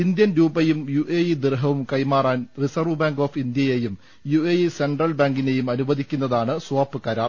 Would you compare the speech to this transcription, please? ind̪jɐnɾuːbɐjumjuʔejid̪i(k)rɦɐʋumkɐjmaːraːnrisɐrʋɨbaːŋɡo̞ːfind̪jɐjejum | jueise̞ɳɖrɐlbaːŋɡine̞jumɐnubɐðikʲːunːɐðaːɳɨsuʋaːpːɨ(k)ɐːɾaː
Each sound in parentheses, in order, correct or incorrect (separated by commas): incorrect, correct